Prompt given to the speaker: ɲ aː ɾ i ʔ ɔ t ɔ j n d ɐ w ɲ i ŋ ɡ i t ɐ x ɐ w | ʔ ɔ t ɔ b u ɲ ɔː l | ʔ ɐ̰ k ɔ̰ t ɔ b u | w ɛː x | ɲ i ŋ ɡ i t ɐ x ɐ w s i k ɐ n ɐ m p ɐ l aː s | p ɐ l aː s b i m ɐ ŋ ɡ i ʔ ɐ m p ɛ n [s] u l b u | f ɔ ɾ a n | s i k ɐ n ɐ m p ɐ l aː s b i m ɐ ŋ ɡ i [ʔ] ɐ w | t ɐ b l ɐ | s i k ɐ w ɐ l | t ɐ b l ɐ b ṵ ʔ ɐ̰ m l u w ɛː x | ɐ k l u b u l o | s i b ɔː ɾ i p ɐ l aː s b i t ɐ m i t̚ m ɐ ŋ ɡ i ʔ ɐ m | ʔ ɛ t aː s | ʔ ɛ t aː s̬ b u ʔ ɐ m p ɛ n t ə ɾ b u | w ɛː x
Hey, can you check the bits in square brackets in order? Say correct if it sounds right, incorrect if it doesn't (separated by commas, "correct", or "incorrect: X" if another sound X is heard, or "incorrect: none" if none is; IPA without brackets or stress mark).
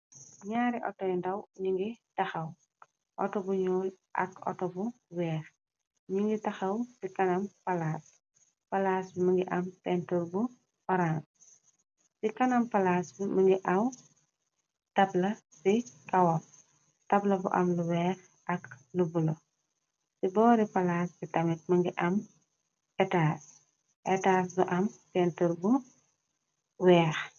incorrect: t, correct